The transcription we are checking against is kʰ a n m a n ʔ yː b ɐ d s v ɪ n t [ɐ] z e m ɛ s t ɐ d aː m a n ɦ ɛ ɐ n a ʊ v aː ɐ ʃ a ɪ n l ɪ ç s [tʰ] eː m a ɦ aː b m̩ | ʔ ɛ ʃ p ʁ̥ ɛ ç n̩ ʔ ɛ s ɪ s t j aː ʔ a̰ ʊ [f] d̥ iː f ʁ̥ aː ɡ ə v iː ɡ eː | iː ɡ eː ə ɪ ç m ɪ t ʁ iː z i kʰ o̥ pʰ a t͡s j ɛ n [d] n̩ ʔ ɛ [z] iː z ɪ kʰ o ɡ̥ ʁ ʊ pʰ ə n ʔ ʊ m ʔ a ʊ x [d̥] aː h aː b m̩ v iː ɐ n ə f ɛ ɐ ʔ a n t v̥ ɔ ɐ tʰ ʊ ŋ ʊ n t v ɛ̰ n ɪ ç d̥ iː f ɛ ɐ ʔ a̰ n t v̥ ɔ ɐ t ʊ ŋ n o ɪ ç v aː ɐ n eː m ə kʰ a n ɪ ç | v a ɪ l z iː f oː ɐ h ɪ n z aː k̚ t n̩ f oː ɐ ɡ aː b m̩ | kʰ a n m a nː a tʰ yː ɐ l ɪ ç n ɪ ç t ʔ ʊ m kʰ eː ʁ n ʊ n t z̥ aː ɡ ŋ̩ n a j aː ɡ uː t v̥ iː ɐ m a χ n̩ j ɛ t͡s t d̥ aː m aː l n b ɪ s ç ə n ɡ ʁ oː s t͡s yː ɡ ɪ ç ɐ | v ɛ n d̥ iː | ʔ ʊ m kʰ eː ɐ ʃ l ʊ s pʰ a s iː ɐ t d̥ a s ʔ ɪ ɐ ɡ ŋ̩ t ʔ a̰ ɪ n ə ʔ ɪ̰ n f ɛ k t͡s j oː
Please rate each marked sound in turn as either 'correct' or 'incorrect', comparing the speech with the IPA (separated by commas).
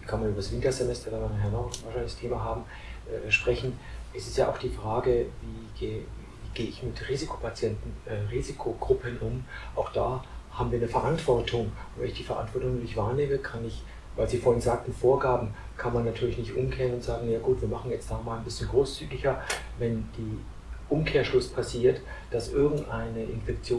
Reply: correct, correct, incorrect, incorrect, incorrect, correct